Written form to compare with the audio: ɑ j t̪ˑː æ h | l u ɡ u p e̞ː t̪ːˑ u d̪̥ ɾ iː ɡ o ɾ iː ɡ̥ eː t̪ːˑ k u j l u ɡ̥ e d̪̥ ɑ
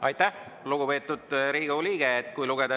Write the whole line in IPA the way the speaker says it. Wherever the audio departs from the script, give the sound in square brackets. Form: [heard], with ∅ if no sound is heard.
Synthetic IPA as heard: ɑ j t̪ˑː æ h | l u ɡ u p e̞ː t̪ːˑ u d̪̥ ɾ iː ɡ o [l] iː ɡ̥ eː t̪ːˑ k u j l u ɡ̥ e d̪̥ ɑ